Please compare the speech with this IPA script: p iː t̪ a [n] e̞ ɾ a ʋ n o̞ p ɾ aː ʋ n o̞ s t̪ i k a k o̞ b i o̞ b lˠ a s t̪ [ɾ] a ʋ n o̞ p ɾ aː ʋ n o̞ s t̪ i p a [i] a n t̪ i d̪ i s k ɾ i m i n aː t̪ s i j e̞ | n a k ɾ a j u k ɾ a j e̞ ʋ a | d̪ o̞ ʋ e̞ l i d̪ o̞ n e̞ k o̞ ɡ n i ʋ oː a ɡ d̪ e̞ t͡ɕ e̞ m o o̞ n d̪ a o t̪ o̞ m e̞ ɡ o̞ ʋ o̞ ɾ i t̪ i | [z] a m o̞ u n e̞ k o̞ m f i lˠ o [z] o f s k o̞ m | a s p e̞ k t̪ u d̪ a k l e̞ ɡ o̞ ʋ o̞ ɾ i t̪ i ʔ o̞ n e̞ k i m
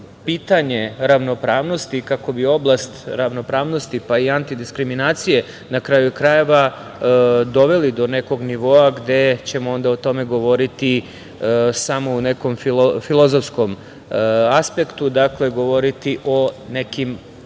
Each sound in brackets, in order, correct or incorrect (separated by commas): incorrect, correct, correct, incorrect, correct